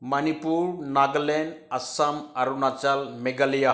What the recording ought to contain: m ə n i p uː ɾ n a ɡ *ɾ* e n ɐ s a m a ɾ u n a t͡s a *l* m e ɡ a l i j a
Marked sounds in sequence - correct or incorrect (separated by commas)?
incorrect, correct